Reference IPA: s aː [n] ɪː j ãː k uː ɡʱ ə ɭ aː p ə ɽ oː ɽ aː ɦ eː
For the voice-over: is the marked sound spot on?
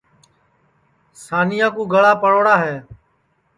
yes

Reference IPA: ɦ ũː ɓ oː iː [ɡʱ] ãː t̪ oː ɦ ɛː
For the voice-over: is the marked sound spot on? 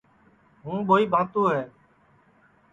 no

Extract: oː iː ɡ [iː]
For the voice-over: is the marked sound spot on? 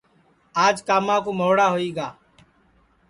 no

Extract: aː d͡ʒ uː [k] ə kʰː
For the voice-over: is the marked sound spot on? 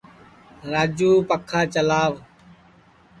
no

